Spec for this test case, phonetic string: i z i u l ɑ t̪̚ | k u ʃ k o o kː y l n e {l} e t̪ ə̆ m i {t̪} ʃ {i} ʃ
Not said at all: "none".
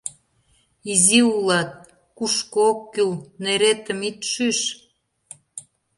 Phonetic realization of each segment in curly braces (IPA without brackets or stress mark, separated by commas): ɾ, t̪, y